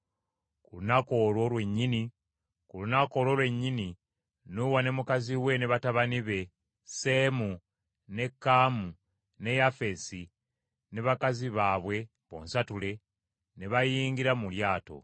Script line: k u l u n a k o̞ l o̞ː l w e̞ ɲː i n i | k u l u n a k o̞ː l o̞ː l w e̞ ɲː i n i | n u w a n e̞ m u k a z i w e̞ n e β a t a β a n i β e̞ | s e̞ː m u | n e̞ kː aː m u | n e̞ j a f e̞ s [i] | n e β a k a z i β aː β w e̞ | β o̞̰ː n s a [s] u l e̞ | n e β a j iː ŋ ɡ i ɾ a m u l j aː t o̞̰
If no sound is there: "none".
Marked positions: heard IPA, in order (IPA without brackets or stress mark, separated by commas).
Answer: i, t